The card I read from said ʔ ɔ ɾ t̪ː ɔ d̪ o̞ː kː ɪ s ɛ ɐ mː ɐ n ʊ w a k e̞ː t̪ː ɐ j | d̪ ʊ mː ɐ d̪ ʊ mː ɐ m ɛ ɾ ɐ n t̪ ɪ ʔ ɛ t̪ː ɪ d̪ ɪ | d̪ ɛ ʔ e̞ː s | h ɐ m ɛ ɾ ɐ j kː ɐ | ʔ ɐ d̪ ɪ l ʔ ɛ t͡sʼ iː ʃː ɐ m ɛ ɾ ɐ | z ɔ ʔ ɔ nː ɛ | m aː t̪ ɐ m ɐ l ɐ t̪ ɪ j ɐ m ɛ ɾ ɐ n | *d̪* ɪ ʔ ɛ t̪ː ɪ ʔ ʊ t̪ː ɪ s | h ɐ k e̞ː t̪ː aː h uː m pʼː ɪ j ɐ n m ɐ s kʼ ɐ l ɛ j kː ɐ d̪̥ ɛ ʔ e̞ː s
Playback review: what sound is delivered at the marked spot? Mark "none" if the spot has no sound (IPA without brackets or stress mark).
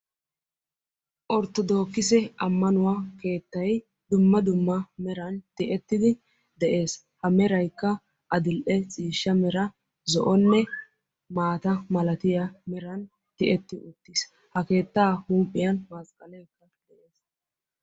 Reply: t̪